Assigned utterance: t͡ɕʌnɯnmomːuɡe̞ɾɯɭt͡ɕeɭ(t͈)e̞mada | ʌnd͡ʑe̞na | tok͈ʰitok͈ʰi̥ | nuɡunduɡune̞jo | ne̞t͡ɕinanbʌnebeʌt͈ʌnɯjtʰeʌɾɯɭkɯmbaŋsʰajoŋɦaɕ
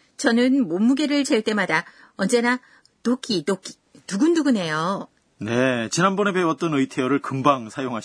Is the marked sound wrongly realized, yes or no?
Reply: no